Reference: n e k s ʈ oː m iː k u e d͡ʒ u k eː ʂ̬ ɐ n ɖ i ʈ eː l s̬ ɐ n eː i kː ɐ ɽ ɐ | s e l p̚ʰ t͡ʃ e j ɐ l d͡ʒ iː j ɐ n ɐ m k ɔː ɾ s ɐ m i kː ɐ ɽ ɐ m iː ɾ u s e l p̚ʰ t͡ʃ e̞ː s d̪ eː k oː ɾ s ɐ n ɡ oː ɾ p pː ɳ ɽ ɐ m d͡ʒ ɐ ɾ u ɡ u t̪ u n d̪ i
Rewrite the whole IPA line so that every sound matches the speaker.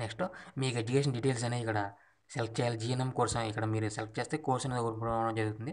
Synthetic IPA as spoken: n e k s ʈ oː m iː k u e d͡ʒ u k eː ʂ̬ ɐ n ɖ i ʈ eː l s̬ ɐ n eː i kː ɐ ɽ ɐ | s e l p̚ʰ t͡ʃ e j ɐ l d͡ʒ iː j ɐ n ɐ m k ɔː ɾ s ɐ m i kː ɐ ɽ ɐ m iː ɾ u s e l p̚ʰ t͡ʃ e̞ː s t̪ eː k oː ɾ s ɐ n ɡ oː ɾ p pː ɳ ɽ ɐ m d͡ʒ ɐ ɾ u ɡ u t̪ u n d̪ i